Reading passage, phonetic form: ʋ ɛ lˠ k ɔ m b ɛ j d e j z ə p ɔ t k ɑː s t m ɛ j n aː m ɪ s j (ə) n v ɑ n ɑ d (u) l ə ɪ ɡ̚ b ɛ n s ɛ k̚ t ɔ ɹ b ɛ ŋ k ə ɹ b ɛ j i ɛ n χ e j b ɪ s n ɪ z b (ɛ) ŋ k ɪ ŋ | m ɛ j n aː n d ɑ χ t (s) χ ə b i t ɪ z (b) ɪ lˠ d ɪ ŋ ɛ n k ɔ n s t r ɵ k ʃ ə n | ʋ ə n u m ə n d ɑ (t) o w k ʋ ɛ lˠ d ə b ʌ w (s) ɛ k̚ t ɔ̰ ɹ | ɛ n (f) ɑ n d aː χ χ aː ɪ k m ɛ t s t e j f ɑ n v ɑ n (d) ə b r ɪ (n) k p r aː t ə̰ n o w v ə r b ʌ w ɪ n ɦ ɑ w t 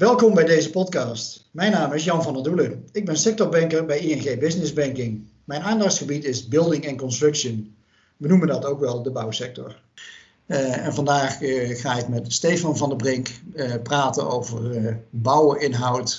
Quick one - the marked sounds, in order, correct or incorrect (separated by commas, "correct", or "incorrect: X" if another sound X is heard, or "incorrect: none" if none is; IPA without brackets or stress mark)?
incorrect: ɑ, correct, correct, correct, correct, correct, correct, incorrect: v, correct, incorrect: ŋ